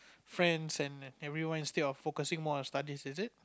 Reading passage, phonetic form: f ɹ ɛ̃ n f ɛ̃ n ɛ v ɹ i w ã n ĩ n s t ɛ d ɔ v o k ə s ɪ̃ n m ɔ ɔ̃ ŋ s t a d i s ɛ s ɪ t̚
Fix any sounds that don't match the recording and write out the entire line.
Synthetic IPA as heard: f ɹ ɛ̃ n s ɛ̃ n ɛ v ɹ i w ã n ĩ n s t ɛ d ɔ f o k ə s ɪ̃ ŋ m ɔ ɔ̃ n s t a d i s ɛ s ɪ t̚

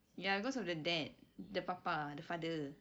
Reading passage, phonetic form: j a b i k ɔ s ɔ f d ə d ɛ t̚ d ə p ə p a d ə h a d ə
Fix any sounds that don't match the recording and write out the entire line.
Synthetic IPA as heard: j a b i k ɔ s ɔ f d ə d ɛ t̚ d ə p a p a d ə f a d ə

